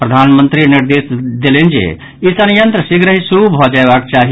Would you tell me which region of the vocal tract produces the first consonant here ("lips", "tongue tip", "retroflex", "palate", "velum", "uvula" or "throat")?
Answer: lips